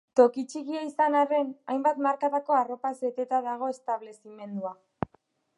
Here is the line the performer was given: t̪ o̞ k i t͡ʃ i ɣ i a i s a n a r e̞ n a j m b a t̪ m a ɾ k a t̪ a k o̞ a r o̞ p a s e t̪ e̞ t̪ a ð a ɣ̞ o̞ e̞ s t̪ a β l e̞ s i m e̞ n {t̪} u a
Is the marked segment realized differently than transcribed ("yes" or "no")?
yes